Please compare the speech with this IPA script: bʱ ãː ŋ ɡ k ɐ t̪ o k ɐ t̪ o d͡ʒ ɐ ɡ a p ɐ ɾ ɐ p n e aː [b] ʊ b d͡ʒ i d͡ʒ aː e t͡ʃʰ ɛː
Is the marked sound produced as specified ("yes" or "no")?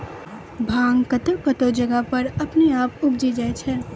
no